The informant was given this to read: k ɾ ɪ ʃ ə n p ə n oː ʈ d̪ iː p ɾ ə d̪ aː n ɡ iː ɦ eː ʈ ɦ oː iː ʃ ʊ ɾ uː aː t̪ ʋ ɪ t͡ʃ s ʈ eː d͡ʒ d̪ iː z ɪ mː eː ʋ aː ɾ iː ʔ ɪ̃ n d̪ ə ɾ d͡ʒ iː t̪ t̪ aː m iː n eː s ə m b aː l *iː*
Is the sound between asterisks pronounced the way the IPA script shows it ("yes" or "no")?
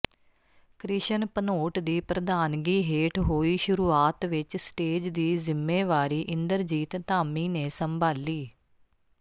yes